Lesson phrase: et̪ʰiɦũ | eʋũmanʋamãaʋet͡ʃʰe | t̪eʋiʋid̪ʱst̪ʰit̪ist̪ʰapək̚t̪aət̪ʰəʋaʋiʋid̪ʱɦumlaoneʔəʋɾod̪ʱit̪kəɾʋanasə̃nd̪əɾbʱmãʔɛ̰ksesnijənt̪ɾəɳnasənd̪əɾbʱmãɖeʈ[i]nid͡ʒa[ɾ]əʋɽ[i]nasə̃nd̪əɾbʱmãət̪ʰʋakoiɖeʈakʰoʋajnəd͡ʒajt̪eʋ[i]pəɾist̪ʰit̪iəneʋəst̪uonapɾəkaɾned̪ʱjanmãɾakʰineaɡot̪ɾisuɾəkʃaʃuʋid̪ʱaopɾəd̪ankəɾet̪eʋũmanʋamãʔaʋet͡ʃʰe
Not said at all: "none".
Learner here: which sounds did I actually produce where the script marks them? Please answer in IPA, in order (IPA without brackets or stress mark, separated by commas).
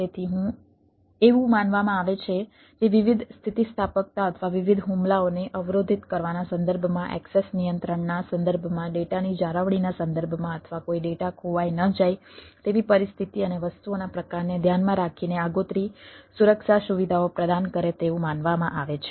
a, ɾ, i, i